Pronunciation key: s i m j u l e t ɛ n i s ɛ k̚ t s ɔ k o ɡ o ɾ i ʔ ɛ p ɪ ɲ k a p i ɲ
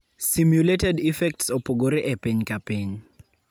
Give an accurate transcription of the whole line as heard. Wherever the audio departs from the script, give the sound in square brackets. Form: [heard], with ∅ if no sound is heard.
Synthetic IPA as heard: s i m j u l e t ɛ [d] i [f] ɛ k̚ t s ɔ [p] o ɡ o ɾ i ʔ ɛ p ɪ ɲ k a p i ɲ